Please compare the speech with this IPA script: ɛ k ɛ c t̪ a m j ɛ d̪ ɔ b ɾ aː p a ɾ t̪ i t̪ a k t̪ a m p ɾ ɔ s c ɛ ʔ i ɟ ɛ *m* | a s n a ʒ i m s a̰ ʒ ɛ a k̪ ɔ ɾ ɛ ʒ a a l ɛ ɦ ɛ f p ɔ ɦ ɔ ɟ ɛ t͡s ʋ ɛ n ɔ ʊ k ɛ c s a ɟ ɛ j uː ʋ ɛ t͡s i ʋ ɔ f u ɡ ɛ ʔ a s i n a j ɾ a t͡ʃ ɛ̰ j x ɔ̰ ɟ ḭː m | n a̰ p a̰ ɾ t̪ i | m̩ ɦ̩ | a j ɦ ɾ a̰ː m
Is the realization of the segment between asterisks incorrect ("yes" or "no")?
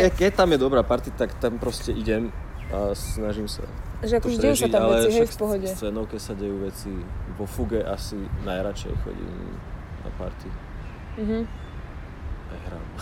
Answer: no